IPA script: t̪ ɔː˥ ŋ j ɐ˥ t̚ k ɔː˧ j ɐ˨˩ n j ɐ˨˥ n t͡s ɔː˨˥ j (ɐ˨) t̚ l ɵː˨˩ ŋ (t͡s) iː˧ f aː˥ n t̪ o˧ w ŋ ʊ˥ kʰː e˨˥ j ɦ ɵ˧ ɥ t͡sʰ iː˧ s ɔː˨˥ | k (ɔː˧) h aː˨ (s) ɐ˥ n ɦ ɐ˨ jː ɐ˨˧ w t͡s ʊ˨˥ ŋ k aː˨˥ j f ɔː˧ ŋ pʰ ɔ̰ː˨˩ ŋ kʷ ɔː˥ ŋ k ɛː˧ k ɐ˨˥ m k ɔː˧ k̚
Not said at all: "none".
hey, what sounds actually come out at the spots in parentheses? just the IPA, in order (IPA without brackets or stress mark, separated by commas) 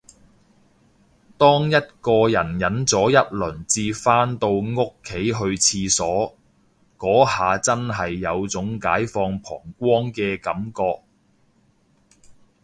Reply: ɐ˥, t͡s, ɔː˨˥, t͡s